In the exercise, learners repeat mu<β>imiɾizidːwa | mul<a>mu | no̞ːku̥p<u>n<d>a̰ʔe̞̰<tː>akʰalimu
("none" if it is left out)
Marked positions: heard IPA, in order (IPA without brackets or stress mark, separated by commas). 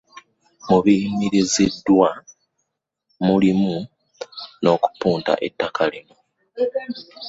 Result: β, i, uː, t, tː